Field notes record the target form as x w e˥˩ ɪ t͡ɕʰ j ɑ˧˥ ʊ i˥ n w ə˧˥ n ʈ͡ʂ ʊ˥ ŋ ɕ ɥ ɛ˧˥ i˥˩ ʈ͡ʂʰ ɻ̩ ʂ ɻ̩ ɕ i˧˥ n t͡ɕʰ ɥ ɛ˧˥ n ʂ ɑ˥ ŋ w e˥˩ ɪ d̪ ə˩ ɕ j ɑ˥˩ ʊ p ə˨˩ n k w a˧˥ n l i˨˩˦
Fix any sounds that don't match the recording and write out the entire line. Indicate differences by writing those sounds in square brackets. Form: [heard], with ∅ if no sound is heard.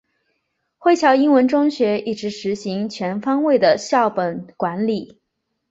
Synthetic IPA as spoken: x w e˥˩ ɪ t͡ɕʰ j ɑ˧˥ ʊ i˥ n w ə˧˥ n ʈ͡ʂ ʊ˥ ŋ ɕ ɥ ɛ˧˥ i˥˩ [ʈ͡ʂ] ɻ̩ ʂ ɻ̩ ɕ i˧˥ [ŋ] t͡ɕʰ ɥ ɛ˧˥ n [f] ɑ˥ ŋ w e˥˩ ɪ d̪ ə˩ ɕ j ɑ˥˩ ʊ p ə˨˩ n k w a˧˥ n l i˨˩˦